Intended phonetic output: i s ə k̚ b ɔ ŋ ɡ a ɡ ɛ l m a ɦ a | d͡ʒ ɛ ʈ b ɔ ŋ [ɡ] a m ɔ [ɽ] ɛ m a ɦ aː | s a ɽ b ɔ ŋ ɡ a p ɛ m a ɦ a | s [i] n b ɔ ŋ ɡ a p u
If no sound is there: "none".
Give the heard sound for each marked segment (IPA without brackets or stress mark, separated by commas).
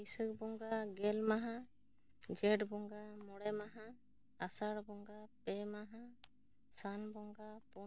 ɡ, ɽ, a